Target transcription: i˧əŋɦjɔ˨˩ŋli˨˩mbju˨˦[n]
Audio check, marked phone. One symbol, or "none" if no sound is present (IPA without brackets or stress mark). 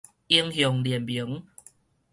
ŋ